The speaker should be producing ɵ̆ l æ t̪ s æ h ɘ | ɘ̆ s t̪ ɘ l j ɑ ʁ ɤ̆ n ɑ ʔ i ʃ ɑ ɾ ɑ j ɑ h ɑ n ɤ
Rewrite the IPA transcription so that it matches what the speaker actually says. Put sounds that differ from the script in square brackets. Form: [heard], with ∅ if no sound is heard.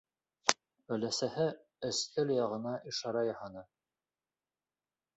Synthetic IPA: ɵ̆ l æ [∅] s æ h ɘ | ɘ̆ s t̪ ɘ l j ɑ ʁ ɤ̆ n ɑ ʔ i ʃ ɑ ɾ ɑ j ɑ h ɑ n ɤ